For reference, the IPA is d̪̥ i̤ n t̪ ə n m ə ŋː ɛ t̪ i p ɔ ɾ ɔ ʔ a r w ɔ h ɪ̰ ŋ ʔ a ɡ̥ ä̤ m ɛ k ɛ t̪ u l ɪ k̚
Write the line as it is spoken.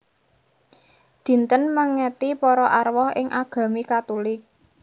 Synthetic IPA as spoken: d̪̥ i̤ n t̪ ə n m ə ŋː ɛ t̪ i p ɔ ɾ ɔ ʔ a r w ɔ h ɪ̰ ŋ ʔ a ɡ̥ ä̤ m i k a t̪ u l ɪ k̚